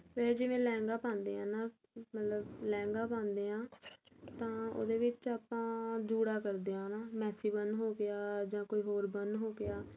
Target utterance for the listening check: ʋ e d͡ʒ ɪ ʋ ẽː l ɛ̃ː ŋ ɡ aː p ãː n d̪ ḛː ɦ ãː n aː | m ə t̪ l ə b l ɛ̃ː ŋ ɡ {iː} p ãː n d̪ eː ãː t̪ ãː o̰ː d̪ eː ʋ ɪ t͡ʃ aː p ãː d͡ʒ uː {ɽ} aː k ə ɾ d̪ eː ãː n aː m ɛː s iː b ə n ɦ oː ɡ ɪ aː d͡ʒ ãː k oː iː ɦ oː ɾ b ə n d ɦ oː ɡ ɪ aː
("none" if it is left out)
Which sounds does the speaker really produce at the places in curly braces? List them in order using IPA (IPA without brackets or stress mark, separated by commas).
aː, ɽ